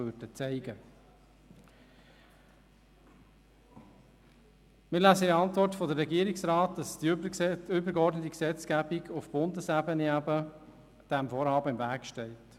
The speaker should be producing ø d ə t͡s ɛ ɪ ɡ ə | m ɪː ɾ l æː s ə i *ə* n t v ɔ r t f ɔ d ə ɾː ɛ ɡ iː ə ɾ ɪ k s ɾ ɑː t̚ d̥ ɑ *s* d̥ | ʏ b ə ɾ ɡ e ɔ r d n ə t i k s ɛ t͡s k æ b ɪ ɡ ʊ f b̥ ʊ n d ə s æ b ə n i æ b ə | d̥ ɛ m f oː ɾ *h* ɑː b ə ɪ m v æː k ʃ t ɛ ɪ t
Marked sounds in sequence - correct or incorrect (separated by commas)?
incorrect, correct, correct